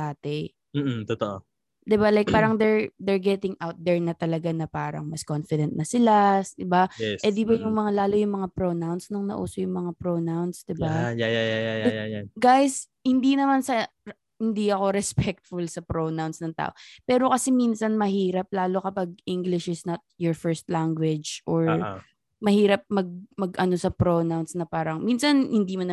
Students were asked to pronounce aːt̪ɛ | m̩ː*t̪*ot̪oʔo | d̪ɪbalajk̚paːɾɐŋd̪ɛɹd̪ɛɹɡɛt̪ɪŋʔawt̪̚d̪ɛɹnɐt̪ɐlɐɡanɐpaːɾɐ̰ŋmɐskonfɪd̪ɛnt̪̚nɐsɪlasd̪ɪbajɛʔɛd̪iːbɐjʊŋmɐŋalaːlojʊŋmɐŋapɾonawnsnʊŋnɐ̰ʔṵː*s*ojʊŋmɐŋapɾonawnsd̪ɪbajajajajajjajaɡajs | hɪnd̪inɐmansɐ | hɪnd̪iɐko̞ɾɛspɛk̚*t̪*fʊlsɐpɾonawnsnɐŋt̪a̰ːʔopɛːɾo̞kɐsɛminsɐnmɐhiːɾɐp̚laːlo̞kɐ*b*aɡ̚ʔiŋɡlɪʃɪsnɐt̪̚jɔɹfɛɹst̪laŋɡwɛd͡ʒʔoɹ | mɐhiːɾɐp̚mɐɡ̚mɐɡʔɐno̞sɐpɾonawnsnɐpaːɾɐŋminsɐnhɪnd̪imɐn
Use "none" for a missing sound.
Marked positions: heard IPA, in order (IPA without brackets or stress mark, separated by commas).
t̪, s, t̪, p